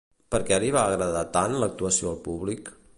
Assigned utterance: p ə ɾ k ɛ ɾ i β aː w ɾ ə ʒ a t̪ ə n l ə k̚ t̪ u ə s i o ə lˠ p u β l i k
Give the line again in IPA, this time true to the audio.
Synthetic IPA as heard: p ə ɾ k ɛ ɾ i β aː ɣ ɾ ə ð a t̪ a n l ə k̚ t̪ u ə s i o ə lˠ p u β l i k

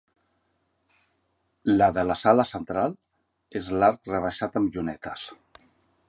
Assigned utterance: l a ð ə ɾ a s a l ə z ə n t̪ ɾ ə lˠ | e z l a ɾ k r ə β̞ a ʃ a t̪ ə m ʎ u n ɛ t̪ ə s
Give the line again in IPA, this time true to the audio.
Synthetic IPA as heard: l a ð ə l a s a l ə s ə n t̪ ɾ a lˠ | e z l a ɾ k r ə β̞ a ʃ a t̪ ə m ʎ u n ɛ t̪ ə s

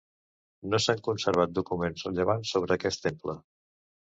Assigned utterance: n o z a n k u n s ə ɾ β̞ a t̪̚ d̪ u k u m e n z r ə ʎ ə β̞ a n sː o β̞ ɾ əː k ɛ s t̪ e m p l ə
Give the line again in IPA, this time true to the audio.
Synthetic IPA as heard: n o s a ŋ k u n s ə ɾ β̞ a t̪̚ d̪ u k u m e n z r ə ʎ ə β̞ a n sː o β̞ ɾ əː k ɛ s t̪ e m p l ə

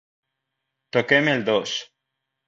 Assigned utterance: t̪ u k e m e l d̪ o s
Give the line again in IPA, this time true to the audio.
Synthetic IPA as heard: t̪ o k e m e l d̪ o s

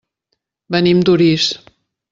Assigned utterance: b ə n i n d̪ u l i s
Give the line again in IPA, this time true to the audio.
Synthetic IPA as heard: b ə n i m d̪ u ɾ i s

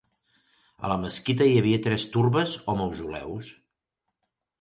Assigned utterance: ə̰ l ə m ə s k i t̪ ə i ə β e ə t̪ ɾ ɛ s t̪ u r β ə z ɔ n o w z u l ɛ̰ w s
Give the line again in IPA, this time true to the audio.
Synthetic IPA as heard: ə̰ l ə m ə s k i t̪ ə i ə β i ə t̪ ɾ ɛ s t̪ u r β ə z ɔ m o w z u l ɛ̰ w s

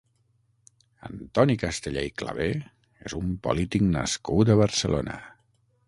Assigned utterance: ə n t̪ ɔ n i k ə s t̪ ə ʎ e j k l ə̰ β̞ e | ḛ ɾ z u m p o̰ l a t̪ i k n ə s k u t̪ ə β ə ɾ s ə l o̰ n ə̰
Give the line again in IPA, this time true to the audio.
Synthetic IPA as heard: ə n t̪ ɔ n i k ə s t̪ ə ʎ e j k l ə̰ β̞ e | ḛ z u m p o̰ l i t̪ i k n ə s k u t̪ ə β ə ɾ s ə l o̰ n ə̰

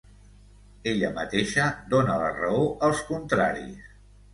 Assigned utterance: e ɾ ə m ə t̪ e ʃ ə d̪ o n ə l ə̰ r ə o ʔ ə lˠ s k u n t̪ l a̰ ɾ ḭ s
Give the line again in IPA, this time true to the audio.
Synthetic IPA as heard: e ʎ ə m ə t̪ e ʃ ə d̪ o n ə l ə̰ r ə o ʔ ə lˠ s k u n t̪ ɾ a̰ ɾ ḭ s

